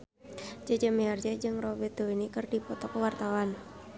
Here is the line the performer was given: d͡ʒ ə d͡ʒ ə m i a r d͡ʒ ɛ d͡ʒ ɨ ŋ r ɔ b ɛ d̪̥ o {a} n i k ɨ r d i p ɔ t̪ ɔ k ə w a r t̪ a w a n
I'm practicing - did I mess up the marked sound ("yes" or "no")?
yes